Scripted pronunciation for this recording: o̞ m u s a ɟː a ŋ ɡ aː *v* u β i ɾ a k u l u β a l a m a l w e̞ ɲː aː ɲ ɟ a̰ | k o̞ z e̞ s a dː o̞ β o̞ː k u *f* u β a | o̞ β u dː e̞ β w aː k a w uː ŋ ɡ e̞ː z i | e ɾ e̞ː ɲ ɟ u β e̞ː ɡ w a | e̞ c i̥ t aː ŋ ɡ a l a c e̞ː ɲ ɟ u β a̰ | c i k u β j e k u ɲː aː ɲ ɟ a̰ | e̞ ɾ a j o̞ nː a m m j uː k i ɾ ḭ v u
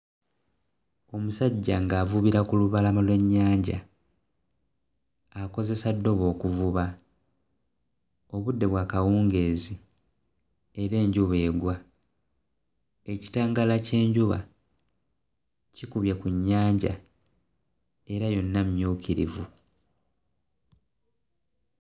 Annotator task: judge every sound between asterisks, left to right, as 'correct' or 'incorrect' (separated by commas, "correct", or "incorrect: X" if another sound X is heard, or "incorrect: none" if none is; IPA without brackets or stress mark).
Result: correct, incorrect: v